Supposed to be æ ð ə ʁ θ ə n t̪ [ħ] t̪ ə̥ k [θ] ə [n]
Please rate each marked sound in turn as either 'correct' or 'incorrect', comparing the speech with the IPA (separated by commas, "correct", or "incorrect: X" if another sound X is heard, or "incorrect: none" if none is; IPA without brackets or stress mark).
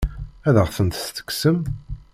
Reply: incorrect: s, incorrect: s, incorrect: m